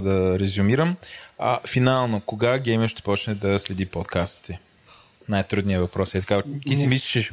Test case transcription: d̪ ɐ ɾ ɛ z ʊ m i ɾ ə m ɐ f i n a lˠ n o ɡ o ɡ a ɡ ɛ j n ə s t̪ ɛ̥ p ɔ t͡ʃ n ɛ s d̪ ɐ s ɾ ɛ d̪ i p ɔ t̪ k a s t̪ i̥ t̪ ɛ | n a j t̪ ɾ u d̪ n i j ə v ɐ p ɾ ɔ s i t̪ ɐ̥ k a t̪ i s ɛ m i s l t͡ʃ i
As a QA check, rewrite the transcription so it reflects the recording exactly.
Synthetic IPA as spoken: d̪ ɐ ɾ ɛ z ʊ m i ɾ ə m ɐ f i n a lˠ n o k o ɡ a ɡ ɛ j m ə ʃ t̪ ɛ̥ p ɔ t͡ʃ n ɛ d̪ ɐ s l ɛ d̪ i p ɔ t̪ k a s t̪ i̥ t̪ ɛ | n a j t̪ ɾ u d̪ n i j ə v ɐ p ɾ ɔ s ɛ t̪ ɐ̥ k a t̪ i s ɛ m i s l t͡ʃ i